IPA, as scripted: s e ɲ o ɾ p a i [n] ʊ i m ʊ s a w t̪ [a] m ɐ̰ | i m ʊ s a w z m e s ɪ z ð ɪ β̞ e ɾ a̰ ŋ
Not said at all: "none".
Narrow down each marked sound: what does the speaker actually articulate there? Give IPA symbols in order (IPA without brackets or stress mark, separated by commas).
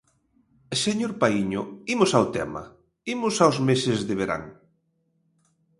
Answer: ɲ, ɛ